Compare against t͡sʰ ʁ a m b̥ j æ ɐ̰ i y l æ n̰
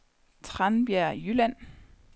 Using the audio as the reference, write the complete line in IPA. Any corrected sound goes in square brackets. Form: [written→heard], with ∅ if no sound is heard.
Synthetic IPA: t͡sʰ ʁ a [m→n] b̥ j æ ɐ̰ [i→j] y l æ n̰